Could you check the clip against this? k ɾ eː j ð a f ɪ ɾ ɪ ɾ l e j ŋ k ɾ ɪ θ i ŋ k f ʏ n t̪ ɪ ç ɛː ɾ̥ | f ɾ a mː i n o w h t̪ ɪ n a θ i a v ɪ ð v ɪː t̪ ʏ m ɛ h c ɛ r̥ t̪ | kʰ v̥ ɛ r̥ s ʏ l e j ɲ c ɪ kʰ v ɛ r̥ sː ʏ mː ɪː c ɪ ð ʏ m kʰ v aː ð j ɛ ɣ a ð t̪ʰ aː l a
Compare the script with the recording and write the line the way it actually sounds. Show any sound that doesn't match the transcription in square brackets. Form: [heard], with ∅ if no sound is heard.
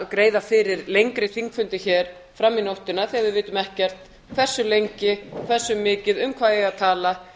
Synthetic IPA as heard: k ɾ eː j ð a f ɪ ɾ ɪ ɾ l e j ŋ k ɾ ɪ θ i ŋ k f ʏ n t̪ ɪ ç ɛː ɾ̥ | f ɾ a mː i n o w h t̪ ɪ n a θ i a v ɪ ð v ɪː t̪ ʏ m ɛ h c ɛ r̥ t̪ | kʰ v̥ ɛ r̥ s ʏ l e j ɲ c ɪ kʰ v ɛ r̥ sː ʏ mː ɪː c ɪ ð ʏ m kʰ v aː ð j ɛ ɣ a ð t̪ʰ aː l a

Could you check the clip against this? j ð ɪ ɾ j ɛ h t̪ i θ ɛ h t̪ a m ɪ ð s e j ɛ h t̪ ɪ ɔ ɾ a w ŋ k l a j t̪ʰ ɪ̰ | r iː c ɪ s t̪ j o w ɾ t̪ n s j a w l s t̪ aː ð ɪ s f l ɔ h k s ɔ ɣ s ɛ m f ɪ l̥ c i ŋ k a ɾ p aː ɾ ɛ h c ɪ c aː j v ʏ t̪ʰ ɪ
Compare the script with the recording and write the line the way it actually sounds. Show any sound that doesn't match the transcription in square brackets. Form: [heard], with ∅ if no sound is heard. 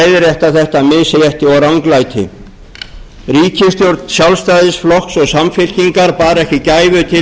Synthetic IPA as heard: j ð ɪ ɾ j ɛ h t̪ [a] θ ɛ h t̪ a m ɪ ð s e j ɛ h t̪ ɪ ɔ ɾ a w ŋ k l a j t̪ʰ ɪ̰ | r iː c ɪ s t̪ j o w ɾ t̪ n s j a w l s t̪ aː ð ɪ s f l ɔ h k s ɔ ɣ s [a] m f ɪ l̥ c i ŋ k a ɾ p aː ɾ ɛ h c ɪ c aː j v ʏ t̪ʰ ɪ

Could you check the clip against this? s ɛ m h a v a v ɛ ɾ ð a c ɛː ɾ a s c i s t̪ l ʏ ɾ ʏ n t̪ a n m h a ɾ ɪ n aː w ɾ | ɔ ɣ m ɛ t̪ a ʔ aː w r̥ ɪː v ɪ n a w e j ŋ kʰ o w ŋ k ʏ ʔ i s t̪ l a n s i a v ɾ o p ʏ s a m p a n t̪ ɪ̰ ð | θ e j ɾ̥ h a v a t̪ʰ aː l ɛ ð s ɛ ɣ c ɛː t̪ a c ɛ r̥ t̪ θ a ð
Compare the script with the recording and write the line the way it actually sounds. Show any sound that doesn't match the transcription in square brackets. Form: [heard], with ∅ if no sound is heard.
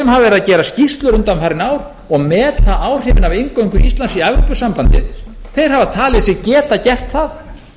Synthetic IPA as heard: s ɛ m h a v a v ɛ ɾ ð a c ɛː ɾ a s c i s t̪ l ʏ ɾ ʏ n t̪ a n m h a ɾ ɪ n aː w ɾ | ɔ ɣ m [ɛː] t̪ a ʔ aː w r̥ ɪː v ɪ n a [v] e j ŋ [k] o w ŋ k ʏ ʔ i s t̪ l a n s i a v ɾ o p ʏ s a m p a n t̪ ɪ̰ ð | θ e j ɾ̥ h a v a t̪ʰ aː l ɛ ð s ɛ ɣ c ɛː t̪ a c ɛ r̥ t̪ θ a ð

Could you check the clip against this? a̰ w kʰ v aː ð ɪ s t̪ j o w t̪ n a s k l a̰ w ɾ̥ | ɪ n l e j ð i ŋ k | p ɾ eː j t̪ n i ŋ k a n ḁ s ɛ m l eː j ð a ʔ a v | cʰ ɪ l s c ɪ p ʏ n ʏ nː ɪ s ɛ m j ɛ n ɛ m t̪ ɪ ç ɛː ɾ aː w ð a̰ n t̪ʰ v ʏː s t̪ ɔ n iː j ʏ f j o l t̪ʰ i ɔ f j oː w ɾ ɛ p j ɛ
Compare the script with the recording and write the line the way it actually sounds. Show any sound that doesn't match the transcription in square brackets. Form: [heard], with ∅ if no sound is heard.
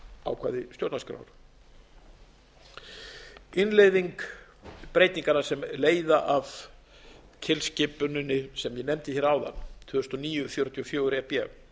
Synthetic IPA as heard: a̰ w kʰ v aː ð ɪ s t̪ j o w t̪ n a s k [ɾ] a̰ w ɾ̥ | ɪ n l e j ð i ŋ k | p ɾ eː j t̪ n i ŋ k a n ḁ s ɛ m l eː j ð a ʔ a v | cʰ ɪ l s c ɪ p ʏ n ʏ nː ɪ s ɛ m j ɛ n ɛ m t̪ ɪ ç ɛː ɾ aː w ð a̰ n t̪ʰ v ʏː s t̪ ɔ n iː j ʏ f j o [ɾ] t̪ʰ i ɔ f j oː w ɾ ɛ p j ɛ

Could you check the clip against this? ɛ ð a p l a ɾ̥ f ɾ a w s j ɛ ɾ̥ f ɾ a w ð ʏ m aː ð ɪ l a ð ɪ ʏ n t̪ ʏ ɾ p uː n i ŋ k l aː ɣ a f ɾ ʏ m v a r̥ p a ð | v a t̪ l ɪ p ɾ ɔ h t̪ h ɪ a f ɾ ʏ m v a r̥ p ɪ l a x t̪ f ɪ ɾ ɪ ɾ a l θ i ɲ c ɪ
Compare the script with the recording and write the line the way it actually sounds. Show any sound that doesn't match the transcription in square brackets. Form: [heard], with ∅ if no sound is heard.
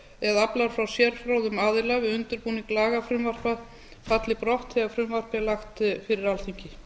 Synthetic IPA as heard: ɛ ð a p l a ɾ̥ f ɾ a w s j ɛ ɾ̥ f ɾ a w ð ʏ m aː ð ɪ l a [v] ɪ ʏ n t̪ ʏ ɾ p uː n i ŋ k l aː ɣ a f ɾ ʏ m v a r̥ p a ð | [f] a t̪ l ɪ p ɾ ɔ h t̪ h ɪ a f ɾ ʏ m v a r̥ p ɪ l a x t̪ f ɪ ɾ ɪ ɾ a l θ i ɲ c ɪ

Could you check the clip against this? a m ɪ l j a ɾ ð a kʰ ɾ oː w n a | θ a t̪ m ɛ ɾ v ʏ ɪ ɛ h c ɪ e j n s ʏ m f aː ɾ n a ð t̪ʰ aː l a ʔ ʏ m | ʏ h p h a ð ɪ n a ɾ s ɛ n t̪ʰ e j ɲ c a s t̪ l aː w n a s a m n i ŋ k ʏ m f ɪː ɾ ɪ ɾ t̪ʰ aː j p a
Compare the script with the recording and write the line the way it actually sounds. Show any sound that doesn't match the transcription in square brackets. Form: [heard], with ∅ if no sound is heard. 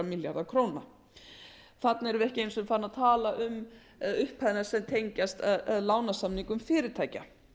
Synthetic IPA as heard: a m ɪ l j a ɾ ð a kʰ ɾ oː w n a | θ a t̪ [n] ɛ ɾ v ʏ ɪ ɛ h c ɪ e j n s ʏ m f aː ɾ n a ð t̪ʰ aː l a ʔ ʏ m | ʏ h p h a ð ɪ n a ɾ s ɛ [m] t̪ʰ e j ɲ c a s t̪ l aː w n a s a m n i ŋ k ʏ m f ɪː ɾ ɪ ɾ t̪ʰ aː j [c] a

